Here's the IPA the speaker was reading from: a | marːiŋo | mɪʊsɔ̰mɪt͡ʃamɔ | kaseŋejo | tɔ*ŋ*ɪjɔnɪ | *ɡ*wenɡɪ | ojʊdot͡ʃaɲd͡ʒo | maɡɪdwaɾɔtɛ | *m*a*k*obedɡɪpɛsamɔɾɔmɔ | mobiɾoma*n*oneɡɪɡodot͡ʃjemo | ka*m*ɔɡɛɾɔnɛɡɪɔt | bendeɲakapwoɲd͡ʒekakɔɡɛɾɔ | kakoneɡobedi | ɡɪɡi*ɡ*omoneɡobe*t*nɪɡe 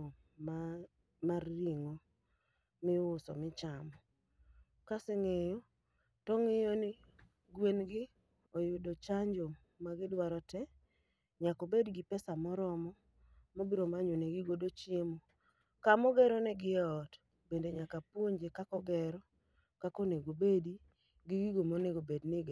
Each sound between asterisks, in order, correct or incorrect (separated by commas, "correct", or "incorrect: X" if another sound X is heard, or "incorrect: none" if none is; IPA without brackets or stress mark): correct, correct, incorrect: ɲ, correct, incorrect: ɲ, correct, correct, incorrect: d